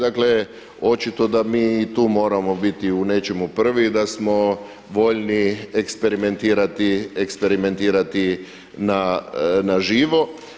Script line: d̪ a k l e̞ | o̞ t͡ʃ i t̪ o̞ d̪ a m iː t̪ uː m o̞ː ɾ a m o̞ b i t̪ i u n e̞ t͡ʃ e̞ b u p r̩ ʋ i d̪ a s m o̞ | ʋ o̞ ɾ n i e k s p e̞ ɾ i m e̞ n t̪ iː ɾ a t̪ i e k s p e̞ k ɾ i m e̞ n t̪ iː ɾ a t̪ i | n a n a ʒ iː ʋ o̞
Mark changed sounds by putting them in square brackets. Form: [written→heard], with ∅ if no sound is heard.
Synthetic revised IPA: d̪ a k l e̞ | o̞ t͡ʃ i t̪ o̞ d̪ a m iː t̪ uː m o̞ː ɾ a m o̞ b i t̪ i u n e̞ t͡ʃ e̞ [b→m] u p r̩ ʋ i d̪ a s m o̞ | ʋ o̞ [ɾ→ʎ] n i e k s p e̞ ɾ i m e̞ n t̪ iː ɾ a t̪ i e k s p e̞ [k→∅] ɾ i m e̞ n t̪ iː ɾ a t̪ i | n a n a ʒ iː ʋ o̞